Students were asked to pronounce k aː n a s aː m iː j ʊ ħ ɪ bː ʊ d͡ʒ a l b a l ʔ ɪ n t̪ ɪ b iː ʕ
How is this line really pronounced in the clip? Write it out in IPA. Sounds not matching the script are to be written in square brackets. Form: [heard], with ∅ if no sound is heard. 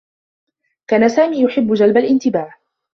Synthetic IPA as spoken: k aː n a s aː m iː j ʊ ħ ɪ bː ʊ d͡ʒ a l b a l ʔ ɪ n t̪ ɪ b [aː] ʕ